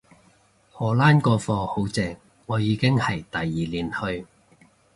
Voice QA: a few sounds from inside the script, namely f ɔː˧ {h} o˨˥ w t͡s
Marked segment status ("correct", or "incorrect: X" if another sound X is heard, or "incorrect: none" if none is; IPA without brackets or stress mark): correct